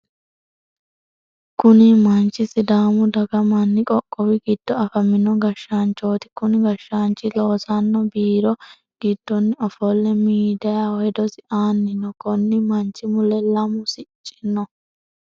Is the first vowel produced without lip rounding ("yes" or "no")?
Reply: no